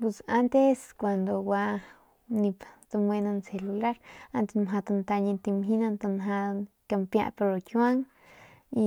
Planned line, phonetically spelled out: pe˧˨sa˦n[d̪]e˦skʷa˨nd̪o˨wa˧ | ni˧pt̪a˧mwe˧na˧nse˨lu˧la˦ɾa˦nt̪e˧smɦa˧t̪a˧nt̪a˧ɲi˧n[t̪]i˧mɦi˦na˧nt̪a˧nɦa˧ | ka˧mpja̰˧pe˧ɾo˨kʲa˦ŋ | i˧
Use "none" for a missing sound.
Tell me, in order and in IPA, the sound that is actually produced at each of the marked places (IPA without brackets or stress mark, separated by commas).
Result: t̪, t̪